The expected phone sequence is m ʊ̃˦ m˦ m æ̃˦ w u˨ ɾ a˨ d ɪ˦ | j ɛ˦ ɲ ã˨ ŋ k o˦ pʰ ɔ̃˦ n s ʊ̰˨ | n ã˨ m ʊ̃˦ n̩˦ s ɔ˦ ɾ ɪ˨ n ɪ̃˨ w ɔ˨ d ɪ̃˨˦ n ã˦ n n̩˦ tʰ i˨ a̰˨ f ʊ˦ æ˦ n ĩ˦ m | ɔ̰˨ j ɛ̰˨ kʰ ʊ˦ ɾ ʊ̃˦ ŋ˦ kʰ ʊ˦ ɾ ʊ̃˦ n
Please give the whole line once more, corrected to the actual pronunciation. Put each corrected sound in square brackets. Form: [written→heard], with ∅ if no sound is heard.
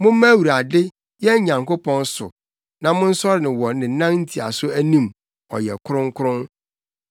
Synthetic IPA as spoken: m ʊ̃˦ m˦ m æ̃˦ w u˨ ɾ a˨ d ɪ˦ | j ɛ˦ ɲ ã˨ ŋ k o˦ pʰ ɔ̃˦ n s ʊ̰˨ | n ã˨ m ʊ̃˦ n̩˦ s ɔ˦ ɾ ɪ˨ n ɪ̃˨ w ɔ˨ [d→n] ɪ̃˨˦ n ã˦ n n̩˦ tʰ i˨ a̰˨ [f→s] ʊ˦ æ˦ n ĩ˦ m | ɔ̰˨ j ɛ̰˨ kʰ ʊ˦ ɾ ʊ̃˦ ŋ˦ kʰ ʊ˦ ɾ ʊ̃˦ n